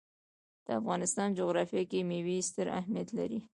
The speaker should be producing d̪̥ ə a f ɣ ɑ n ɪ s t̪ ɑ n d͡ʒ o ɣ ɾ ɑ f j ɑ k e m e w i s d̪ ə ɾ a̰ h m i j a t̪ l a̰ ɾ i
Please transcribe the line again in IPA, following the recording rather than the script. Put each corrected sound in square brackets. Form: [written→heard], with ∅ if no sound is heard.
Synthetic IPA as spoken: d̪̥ ə a f ɣ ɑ n ɪ s t̪ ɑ n d͡ʒ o ɣ ɾ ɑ f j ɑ k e m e w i s [d̪→t̪] ə ɾ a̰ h m i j a t̪ l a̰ ɾ i